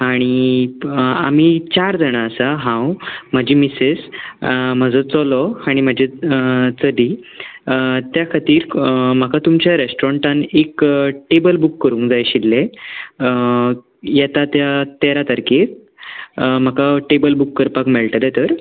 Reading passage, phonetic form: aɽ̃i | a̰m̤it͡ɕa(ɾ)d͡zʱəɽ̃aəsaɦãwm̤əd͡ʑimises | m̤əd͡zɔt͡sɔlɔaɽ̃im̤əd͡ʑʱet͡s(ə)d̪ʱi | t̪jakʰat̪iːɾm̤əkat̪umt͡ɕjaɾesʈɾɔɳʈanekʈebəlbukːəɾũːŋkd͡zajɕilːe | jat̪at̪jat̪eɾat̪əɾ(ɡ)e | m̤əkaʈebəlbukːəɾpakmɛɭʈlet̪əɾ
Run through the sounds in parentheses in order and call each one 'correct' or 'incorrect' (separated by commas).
correct, correct, incorrect